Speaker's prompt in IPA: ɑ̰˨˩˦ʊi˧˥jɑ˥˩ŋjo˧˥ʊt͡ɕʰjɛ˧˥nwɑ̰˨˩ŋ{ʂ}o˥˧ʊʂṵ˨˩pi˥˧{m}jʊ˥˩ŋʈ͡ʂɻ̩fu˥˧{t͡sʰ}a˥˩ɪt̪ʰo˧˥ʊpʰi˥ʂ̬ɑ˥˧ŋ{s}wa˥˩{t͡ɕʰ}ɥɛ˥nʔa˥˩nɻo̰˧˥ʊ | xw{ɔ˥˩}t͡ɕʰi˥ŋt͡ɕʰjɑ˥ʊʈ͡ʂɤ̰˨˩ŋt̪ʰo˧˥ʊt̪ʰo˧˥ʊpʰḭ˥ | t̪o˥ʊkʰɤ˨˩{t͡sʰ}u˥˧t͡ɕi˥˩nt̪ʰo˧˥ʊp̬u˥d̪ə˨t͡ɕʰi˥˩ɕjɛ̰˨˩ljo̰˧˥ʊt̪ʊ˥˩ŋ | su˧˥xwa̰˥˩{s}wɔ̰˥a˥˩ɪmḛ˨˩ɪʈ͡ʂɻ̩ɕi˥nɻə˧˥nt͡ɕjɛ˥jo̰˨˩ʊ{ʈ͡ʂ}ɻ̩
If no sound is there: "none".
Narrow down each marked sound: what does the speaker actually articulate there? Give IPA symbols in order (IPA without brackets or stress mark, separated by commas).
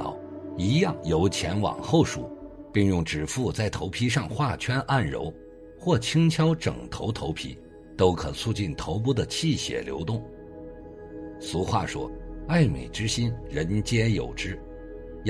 x, ŋ, t͡s, x, t͡ɕʰ, ɔ˥˩, t͡sʰ, ʂ, ʈ͡ʂ